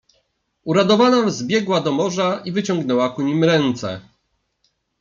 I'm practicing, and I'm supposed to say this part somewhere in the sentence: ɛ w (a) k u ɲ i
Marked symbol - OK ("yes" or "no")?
yes